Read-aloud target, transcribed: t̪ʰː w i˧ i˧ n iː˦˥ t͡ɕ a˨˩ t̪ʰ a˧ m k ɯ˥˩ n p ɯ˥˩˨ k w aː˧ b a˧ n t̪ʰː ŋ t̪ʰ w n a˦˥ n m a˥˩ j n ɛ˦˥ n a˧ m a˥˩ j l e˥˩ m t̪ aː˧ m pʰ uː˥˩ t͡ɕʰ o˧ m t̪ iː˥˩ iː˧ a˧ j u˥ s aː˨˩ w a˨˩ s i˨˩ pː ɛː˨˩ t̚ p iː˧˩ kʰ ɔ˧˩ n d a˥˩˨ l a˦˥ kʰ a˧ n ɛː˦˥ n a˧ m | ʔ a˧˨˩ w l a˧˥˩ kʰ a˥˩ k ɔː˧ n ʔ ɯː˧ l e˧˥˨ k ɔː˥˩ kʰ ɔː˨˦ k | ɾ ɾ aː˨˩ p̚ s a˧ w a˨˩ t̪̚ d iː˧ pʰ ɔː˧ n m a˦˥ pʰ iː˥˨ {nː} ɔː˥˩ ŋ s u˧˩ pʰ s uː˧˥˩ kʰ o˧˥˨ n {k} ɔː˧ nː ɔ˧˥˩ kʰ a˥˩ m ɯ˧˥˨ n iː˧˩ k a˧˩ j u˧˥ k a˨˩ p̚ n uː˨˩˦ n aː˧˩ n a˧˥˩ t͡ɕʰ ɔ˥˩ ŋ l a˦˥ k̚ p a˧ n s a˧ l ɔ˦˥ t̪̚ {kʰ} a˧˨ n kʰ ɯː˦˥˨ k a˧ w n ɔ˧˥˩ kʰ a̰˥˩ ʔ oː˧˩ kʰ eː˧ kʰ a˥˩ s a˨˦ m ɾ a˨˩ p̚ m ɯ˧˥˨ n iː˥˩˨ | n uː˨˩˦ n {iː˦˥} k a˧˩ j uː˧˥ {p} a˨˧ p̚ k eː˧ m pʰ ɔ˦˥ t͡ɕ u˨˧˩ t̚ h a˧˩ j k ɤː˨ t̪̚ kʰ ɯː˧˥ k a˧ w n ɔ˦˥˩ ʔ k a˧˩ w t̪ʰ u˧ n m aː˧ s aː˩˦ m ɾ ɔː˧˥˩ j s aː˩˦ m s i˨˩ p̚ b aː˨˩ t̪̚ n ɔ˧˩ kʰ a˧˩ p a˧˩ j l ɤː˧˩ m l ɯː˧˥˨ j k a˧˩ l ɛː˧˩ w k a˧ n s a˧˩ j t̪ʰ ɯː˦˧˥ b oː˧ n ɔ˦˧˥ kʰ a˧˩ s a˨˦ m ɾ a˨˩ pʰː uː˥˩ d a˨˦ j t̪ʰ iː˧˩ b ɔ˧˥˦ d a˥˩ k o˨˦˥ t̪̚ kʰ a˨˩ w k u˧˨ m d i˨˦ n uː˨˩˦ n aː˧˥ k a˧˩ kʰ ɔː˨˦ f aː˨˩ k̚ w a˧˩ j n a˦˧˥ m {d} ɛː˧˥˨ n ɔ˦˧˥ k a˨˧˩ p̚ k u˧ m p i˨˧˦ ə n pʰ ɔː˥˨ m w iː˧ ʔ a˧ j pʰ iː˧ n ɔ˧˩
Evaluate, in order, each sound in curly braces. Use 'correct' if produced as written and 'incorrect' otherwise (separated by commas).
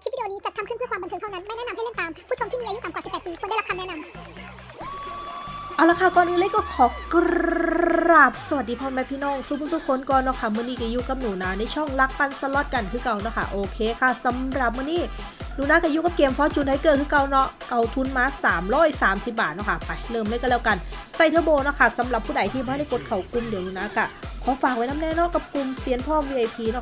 incorrect, correct, incorrect, incorrect, incorrect, incorrect